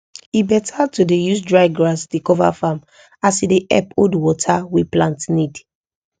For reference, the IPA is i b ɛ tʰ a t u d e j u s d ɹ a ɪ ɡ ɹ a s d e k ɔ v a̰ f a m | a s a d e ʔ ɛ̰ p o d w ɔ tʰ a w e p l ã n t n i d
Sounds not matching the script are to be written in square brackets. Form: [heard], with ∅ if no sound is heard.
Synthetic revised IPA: i b ɛ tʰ a t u d e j u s d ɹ a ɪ ɡ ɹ a s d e k ɔ v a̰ f a m | a s [i] d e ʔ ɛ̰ p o d w ɔ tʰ a w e p l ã n t n i d